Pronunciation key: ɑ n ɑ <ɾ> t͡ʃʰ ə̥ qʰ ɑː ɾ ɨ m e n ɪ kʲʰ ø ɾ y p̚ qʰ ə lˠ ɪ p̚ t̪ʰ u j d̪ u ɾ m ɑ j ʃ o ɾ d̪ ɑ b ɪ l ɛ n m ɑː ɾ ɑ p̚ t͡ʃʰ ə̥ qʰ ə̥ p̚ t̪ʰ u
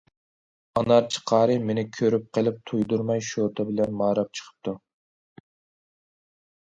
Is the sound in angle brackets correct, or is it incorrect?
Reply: correct